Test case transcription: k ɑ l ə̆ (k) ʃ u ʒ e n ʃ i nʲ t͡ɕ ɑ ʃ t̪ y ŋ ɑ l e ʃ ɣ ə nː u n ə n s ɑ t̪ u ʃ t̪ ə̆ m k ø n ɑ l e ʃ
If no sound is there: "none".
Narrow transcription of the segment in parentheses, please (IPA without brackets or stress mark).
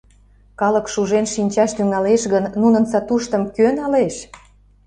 k